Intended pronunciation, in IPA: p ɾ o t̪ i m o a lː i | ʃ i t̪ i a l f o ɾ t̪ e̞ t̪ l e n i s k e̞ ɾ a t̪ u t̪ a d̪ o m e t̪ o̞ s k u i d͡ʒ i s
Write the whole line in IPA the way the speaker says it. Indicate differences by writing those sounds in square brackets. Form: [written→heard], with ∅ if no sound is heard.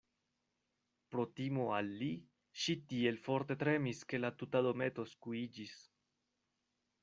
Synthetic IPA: p ɾ o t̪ i m o a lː i | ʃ i t̪ i [a→e] l f o ɾ t̪ e̞ t̪ [l→ɾ] e [n→m] i s k e̞ [ɾ→l] a t̪ u t̪ a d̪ o m e t̪ o̞ s k u i d͡ʒ i s